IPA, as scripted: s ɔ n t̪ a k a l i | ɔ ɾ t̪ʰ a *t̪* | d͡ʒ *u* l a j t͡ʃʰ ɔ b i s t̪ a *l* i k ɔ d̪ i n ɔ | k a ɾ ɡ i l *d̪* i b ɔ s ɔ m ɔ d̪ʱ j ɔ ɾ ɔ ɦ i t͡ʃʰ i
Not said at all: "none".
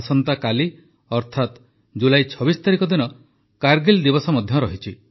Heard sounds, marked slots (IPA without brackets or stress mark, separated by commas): t̪, u, ɾ, d̪